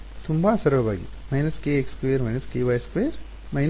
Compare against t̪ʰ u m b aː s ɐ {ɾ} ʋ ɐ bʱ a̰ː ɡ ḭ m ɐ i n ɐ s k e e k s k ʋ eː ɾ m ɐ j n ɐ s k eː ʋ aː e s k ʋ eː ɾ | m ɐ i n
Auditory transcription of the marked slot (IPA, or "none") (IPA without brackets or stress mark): ɾ